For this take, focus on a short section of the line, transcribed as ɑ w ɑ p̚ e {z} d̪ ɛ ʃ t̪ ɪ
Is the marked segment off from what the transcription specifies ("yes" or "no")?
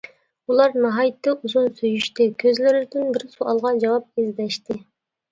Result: no